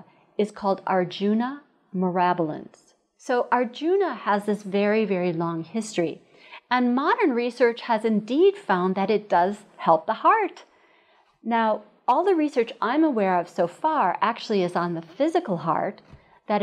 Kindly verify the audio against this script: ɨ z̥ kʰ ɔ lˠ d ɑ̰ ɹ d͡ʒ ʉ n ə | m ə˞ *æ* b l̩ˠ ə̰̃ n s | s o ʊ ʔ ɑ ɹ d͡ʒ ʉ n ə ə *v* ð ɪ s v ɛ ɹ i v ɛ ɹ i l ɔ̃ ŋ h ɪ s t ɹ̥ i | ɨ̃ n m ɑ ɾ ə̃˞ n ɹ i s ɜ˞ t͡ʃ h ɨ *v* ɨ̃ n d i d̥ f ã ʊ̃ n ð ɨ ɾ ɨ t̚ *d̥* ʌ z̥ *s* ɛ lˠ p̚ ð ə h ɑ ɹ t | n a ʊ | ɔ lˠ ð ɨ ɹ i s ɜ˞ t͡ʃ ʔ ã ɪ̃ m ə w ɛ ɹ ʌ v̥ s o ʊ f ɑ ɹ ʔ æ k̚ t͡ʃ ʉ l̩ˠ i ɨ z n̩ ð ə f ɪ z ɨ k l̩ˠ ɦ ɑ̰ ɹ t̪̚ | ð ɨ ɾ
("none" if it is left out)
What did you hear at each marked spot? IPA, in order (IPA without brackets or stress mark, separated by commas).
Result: æ, z, z, d̥, h